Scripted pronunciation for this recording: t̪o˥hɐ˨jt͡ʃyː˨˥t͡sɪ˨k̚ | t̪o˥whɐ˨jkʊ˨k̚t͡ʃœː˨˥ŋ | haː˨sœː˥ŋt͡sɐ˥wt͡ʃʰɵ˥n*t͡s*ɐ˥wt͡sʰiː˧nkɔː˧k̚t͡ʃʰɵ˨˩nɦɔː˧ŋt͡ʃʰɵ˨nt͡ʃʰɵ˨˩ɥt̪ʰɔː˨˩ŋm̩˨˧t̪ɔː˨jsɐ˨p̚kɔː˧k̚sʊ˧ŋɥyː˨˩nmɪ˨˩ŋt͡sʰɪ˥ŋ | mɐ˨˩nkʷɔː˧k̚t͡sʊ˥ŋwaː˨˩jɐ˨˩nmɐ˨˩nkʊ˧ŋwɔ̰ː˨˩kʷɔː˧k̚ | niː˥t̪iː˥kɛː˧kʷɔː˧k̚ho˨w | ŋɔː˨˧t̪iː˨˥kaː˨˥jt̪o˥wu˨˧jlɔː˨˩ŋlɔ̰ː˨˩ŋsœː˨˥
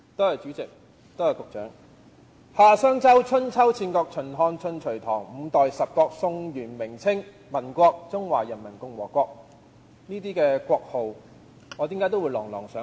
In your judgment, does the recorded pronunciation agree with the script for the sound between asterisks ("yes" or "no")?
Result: no